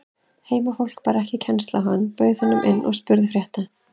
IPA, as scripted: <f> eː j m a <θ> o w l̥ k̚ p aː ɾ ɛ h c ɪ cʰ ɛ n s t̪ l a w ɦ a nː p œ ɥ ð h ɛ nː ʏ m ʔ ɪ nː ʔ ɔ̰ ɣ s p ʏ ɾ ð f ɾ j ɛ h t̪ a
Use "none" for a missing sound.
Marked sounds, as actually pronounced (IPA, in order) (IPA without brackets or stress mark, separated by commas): h, f